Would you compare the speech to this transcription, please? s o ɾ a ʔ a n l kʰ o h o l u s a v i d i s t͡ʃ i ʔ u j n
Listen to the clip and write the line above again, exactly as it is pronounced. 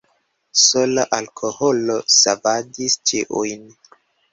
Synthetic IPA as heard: s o l a ʔ a l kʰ o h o l o s a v a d i s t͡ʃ i ʔ u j n